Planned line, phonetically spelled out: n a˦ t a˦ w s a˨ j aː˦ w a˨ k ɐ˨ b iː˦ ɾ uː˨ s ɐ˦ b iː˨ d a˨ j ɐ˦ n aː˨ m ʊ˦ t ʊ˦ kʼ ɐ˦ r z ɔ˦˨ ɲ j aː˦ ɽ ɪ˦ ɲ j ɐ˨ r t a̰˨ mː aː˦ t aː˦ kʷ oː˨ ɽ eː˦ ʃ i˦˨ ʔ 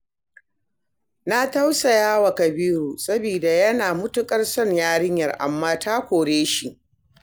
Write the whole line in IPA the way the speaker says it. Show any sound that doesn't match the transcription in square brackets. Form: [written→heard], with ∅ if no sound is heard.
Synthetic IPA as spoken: n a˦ t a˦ w s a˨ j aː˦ w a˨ k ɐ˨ b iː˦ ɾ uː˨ s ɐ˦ b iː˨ d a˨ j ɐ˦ n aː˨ m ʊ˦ t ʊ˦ kʼ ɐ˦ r [z→s] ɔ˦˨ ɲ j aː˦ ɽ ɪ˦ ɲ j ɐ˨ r [t→ʔ] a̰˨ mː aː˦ t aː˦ kʷ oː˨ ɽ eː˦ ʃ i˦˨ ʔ